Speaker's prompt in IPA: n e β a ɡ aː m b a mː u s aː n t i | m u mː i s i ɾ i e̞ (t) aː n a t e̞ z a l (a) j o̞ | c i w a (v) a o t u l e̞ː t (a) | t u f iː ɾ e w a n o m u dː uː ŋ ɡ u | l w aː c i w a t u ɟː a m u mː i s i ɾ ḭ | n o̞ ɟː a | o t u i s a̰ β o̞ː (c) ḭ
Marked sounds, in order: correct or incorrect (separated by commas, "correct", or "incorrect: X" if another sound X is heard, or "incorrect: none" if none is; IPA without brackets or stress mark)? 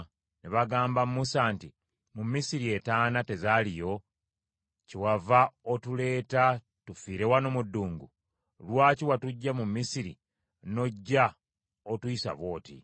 correct, incorrect: i, correct, correct, incorrect: t